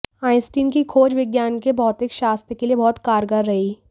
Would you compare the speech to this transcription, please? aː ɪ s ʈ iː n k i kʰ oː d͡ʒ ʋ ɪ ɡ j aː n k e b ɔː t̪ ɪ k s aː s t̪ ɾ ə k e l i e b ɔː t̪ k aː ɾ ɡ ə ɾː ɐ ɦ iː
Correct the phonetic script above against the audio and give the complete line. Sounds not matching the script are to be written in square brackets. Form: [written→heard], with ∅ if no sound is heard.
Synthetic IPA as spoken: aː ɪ s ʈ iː n k i kʰ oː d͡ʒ ʋ ɪ ɡ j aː n k e b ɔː t̪ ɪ k [s→ʃ] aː s t̪ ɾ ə k e l i e b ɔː t̪ k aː ɾ ɡ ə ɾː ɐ ɦ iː